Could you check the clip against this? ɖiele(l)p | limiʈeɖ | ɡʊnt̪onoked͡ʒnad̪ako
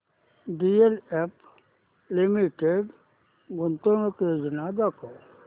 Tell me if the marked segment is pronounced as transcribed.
no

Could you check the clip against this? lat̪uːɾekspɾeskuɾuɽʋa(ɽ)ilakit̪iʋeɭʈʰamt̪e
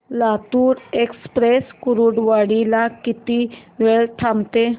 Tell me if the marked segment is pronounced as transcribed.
yes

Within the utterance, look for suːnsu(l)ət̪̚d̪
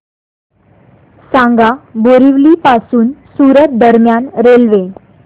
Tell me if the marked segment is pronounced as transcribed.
no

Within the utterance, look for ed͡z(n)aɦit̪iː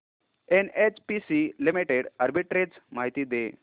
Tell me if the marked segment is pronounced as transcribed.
no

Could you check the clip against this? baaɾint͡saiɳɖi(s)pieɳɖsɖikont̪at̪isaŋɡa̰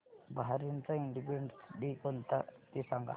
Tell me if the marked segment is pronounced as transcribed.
no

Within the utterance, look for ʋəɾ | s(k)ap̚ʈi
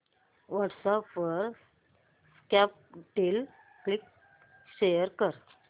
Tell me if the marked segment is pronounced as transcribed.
yes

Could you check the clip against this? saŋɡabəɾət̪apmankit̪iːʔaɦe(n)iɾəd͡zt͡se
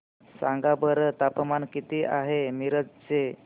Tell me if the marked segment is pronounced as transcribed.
no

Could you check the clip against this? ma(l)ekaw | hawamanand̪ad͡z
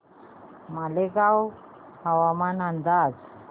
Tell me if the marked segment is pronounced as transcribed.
yes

